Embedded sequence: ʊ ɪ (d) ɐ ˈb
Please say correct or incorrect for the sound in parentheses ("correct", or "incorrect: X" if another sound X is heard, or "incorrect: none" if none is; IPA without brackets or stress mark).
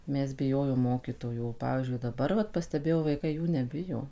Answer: correct